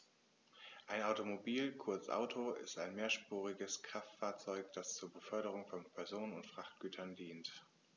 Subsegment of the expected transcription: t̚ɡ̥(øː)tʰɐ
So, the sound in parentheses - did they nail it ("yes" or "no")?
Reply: no